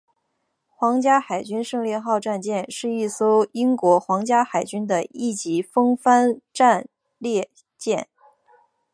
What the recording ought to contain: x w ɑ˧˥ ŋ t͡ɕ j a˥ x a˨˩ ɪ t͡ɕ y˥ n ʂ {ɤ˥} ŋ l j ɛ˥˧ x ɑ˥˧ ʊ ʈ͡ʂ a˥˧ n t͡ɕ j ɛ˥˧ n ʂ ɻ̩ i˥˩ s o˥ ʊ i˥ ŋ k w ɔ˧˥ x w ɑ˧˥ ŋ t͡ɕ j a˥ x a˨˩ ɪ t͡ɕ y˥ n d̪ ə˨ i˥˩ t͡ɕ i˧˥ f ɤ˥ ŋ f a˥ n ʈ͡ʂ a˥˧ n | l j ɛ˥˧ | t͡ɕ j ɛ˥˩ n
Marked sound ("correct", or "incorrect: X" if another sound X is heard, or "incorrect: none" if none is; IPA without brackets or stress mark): incorrect: ɤ˥˧